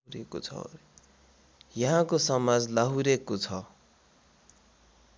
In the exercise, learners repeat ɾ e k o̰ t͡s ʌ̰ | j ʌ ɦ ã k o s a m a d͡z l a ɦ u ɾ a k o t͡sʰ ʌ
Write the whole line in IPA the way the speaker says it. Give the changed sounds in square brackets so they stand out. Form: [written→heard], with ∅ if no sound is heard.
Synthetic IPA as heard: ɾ e k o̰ [t͡s→t͡sʰ] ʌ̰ | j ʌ ɦ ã k o s [a→ʌ] m a d͡z l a ɦ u ɾ [a→e] k o t͡sʰ ʌ